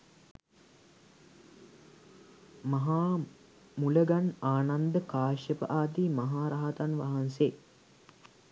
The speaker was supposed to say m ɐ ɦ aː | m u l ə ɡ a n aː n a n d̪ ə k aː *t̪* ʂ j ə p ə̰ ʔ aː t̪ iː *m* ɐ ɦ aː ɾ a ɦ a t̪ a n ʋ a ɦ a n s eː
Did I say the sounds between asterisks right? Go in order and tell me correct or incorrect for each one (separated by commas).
incorrect, correct